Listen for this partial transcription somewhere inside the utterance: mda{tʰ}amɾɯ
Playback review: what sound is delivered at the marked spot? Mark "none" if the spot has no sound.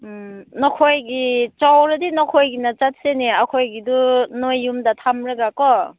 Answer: tʰ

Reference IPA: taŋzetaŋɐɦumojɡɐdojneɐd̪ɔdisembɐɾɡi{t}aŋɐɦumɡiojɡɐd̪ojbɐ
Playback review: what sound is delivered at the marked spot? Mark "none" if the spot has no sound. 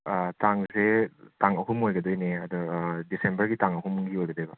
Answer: t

